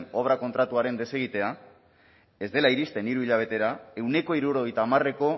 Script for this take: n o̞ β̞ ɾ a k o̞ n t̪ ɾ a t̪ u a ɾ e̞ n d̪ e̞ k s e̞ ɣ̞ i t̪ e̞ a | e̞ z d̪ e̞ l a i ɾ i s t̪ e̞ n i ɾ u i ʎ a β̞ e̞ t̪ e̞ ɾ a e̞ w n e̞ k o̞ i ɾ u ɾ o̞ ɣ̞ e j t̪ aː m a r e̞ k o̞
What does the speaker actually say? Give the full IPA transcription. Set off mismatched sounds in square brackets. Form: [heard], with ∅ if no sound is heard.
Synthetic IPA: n o̞ β̞ ɾ a k o̞ n t̪ ɾ a t̪ u a ɾ e̞ n d̪ e̞ [∅] s e̞ ɣ̞ i t̪ e̞ a | e̞ z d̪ e̞ l a i ɾ i s t̪ e̞ n i ɾ u i ʎ a β̞ e̞ t̪ e̞ ɾ a e̞ w n e̞ k o̞ i ɾ u ɾ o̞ ɣ̞ e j t̪ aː m a r e̞ k o̞